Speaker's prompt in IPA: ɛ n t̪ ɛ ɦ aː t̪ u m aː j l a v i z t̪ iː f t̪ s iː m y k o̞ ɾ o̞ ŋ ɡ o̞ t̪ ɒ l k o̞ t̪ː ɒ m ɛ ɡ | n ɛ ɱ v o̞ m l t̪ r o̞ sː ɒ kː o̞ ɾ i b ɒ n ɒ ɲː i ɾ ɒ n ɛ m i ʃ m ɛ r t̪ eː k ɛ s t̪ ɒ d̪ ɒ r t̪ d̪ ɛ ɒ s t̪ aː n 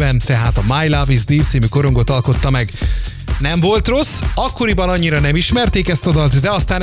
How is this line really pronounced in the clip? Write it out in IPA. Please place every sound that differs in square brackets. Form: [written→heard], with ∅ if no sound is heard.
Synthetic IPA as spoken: ɛ n t̪ ɛ ɦ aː t̪ [u→ɒ] m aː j l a v i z [t̪→d̪] iː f t̪ s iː m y k o̞ ɾ o̞ ŋ ɡ o̞ t̪ ɒ l k o̞ t̪ː ɒ m ɛ ɡ | n ɛ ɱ v o̞ [m→∅] l t̪ r o̞ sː ɒ kː o̞ ɾ i b ɒ n ɒ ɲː i ɾ ɒ n ɛ m i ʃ m ɛ r t̪ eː k ɛ s t̪ ɒ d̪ ɒ [r→l] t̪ d̪ ɛ ɒ s t̪ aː n